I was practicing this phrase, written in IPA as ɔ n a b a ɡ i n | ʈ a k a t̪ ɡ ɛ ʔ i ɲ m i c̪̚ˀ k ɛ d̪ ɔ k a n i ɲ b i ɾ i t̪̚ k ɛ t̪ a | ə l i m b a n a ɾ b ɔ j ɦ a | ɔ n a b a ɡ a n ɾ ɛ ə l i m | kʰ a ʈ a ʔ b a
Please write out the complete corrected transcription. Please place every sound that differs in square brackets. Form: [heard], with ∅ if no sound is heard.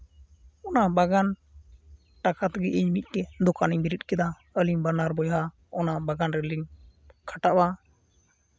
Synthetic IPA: ɔ n a b a ɡ [a] n | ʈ a k a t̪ ɡ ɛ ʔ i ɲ m i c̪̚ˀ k ɛ d̪ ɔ k a n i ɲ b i ɾ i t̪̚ k ɛ [d̪] a | ə l i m b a n a ɾ b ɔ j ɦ a | ɔ n a b a ɡ a n ɾ ɛ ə l i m | kʰ a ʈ a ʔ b a